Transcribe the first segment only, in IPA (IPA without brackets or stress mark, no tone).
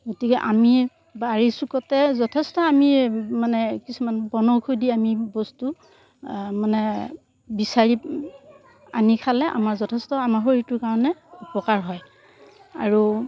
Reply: ɡ